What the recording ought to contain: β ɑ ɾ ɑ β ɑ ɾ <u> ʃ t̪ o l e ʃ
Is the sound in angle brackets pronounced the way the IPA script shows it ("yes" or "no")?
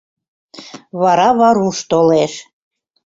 yes